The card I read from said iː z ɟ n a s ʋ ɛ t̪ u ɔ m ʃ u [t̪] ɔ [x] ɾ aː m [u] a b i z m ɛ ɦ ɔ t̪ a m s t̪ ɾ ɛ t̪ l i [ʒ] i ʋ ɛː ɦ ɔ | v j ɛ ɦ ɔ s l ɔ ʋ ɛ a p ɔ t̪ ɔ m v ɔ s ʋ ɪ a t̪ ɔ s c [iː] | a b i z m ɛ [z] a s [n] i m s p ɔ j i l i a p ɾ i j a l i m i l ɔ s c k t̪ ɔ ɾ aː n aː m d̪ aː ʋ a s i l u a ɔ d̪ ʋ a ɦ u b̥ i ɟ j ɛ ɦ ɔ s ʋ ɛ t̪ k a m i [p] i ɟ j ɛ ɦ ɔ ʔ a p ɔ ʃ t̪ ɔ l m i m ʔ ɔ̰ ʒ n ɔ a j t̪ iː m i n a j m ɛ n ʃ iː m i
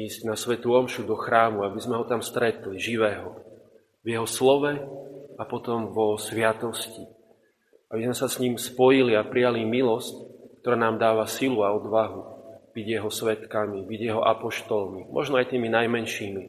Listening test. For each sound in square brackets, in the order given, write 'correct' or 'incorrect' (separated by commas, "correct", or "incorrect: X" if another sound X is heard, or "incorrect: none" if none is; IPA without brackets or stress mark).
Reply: incorrect: d̪, correct, correct, correct, incorrect: i, incorrect: s, incorrect: ɲ, incorrect: b